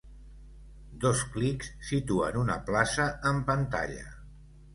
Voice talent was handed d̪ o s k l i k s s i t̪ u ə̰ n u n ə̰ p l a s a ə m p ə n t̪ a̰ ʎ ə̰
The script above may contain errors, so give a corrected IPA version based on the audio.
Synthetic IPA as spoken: d̪ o s k l i k s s i t̪ u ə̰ n u n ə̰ p l a s ə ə m p ə n t̪ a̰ ʎ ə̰